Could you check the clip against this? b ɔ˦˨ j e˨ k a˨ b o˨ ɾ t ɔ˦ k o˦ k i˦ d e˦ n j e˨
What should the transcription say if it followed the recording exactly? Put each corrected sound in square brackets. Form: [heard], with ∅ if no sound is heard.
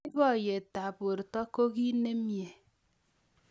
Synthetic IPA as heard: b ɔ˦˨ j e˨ [t] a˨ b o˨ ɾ t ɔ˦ k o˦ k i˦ [n] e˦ [m] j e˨